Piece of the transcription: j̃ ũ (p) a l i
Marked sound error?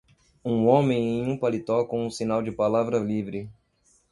no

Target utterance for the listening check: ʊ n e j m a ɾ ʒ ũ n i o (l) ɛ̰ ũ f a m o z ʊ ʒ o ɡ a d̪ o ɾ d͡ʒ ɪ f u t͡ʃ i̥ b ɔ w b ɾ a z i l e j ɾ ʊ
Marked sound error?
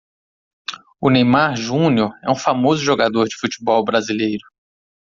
yes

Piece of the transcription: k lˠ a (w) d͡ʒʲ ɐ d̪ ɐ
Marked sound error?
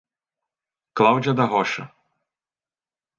no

